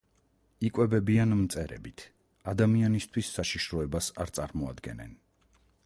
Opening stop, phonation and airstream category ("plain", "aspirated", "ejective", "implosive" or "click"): ejective